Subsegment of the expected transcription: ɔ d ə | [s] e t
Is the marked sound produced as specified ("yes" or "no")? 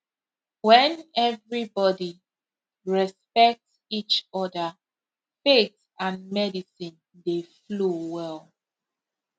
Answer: no